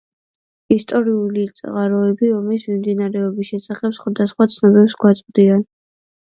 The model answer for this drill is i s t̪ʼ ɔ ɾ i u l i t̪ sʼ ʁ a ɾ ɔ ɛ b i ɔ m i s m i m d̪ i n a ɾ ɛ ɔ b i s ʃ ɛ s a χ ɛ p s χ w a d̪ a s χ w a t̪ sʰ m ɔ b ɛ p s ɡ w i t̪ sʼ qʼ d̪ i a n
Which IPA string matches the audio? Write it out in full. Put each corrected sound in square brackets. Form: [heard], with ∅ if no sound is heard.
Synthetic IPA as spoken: i s t̪ʼ ɔ ɾ i u l i t̪ sʼ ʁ a ɾ ɔ ɛ b i ɔ m i s m i m d̪ i n a ɾ ɛ ɔ b i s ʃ ɛ s a χ ɛ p s χ w a d̪ a s χ w a t̪ sʰ [n] ɔ b ɛ p s ɡ w [a] t̪ sʼ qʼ d̪ i a n